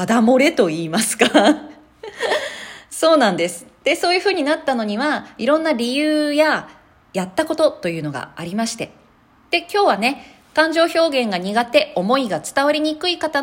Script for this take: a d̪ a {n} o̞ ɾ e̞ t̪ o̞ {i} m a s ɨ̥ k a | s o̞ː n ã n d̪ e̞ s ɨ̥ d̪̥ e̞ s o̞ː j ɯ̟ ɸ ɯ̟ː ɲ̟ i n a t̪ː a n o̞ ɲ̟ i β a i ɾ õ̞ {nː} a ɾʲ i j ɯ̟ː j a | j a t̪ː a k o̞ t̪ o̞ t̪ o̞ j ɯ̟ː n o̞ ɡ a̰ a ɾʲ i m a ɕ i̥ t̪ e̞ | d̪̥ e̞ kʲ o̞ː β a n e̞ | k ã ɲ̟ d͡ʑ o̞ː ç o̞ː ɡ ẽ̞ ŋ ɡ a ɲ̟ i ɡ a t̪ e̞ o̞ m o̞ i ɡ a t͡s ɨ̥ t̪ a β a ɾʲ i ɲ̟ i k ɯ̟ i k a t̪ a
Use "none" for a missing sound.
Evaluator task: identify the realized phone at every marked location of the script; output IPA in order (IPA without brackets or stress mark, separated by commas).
m, iː, nː